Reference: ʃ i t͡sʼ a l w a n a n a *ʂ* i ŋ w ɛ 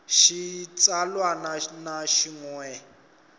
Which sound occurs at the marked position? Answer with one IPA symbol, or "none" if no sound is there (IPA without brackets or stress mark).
ʃ